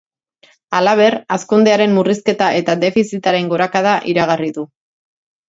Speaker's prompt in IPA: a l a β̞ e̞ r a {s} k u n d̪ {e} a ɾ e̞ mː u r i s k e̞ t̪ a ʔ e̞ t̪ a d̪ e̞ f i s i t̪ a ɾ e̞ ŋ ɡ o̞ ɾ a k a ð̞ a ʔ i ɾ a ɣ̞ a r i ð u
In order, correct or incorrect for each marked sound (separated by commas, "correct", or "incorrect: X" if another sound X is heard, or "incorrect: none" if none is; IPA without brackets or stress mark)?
correct, correct